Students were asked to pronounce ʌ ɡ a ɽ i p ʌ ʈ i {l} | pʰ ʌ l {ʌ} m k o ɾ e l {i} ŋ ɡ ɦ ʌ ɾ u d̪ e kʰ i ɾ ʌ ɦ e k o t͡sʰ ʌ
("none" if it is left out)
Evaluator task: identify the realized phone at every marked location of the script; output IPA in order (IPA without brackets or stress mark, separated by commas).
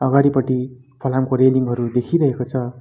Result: none, a, i